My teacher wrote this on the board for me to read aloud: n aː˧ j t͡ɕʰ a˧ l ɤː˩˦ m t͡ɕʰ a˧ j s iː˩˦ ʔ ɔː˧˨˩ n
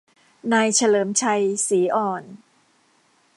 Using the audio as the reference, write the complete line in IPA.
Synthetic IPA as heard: n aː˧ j t͡ɕʰ a˧ l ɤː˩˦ m t͡ɕʰ a˧ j s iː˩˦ ʔ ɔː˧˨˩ n